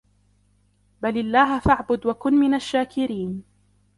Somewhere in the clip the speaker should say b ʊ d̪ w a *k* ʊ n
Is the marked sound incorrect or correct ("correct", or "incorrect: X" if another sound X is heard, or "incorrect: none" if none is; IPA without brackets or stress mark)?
correct